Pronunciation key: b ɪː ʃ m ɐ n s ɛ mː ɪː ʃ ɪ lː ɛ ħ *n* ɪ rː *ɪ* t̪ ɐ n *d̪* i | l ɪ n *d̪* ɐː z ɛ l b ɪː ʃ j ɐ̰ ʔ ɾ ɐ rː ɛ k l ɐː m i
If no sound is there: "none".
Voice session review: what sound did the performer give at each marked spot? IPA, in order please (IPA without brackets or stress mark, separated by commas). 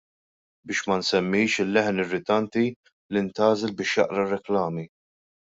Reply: n, ɪ, t̪, t̪